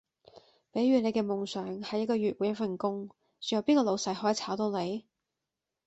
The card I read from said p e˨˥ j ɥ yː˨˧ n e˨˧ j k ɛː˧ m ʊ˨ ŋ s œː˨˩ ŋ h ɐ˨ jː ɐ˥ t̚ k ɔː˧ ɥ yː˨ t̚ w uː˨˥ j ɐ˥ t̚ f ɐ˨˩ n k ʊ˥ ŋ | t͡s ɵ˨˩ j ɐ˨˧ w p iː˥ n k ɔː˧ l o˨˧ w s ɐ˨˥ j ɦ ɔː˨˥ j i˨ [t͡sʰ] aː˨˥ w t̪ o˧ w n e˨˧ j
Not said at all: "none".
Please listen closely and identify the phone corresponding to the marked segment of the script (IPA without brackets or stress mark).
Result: t͡sʰ